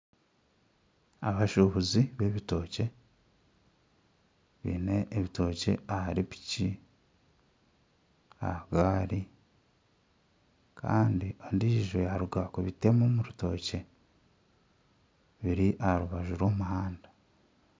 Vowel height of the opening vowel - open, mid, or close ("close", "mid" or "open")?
open